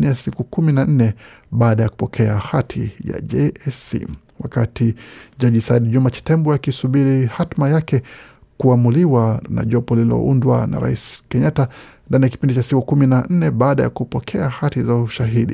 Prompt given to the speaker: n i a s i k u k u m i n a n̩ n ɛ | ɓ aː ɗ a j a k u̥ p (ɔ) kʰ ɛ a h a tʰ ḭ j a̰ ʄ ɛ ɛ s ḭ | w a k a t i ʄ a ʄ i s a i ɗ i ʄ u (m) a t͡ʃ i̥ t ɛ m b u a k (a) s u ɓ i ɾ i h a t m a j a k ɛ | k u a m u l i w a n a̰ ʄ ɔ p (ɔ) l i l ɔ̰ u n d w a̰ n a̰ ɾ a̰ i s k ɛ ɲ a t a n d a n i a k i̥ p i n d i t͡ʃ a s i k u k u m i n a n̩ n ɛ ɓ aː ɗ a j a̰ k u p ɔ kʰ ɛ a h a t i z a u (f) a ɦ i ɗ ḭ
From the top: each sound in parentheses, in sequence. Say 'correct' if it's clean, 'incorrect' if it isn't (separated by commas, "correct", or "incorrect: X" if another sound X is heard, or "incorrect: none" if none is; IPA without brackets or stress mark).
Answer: correct, correct, incorrect: i, correct, incorrect: ʃ